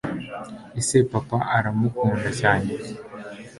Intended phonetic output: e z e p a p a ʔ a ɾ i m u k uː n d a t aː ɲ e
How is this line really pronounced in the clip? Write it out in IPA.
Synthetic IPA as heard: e s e p a p a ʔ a ɾ a m u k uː n d a c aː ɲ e